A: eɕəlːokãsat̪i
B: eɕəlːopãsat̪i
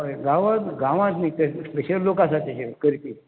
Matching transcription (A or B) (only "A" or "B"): A